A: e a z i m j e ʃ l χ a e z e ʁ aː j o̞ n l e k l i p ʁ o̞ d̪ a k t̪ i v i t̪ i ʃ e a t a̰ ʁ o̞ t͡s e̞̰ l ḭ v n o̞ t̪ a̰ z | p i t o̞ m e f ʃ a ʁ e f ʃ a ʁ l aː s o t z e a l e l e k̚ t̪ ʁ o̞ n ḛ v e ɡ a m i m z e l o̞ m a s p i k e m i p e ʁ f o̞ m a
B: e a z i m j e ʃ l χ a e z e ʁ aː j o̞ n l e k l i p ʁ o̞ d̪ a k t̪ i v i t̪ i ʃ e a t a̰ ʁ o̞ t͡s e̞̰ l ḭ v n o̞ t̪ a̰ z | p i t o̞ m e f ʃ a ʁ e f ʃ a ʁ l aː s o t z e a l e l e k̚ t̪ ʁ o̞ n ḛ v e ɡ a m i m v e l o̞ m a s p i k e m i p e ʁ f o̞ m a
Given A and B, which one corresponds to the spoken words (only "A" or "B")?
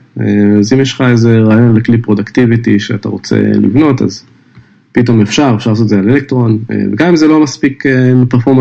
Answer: A